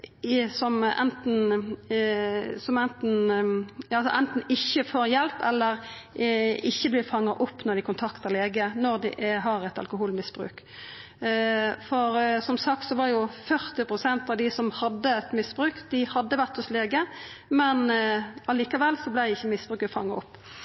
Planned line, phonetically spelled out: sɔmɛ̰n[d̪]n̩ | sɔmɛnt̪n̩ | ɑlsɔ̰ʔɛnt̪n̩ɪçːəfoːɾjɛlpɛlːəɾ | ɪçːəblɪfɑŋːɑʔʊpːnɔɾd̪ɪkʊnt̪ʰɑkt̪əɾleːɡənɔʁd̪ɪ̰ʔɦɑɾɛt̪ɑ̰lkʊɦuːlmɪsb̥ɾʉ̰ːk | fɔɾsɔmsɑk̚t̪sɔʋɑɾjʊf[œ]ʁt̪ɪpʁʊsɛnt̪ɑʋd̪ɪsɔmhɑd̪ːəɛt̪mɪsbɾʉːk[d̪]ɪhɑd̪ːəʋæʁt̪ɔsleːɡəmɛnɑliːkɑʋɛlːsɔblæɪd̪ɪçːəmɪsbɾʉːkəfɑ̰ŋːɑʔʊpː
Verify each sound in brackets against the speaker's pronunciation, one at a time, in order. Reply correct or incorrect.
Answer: incorrect: t̪, correct, correct

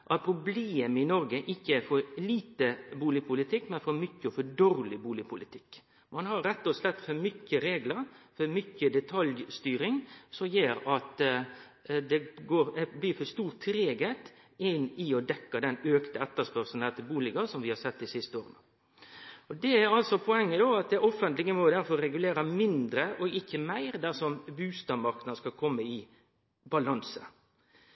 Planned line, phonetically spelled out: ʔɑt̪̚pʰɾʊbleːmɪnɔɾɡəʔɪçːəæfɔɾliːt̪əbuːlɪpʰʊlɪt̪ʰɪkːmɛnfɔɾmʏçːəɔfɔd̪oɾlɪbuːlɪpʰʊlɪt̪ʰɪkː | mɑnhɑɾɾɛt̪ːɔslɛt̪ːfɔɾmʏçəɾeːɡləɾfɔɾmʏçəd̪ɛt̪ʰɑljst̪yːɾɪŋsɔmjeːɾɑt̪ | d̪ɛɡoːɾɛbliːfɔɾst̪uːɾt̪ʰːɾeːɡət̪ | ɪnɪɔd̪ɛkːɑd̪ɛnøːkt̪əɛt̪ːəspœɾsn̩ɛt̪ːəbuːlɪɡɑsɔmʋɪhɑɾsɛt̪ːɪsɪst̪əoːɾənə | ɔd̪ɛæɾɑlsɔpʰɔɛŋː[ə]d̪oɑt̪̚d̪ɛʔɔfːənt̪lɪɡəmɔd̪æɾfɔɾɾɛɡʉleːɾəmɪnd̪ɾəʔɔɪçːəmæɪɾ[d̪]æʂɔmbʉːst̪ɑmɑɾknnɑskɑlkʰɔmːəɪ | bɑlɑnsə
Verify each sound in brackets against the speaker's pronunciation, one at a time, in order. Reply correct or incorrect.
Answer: correct, correct

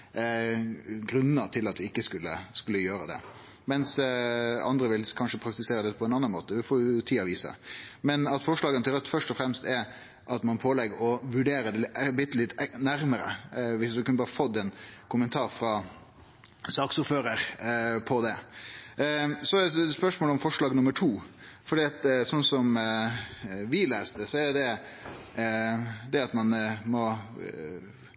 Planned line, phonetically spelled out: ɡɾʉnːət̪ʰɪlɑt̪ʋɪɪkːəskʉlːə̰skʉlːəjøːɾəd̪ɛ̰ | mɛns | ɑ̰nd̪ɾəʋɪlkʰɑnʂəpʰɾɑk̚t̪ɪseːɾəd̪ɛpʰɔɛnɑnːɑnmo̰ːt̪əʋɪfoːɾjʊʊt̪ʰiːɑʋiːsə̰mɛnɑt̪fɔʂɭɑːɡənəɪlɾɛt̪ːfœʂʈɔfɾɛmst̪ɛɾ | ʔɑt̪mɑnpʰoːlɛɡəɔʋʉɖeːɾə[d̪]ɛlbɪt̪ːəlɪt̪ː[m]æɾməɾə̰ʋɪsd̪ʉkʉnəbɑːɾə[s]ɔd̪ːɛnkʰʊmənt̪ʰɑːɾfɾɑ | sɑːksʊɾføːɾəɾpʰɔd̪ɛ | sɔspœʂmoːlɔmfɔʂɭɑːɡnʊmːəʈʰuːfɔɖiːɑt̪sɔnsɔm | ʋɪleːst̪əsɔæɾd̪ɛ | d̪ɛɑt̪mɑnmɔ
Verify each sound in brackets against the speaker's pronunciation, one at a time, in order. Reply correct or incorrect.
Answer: correct, incorrect: n, incorrect: f

